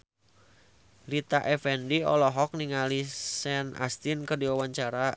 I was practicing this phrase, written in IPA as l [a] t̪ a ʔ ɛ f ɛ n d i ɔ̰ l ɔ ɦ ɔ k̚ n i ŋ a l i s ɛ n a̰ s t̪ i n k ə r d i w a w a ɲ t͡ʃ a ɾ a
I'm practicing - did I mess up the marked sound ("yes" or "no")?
yes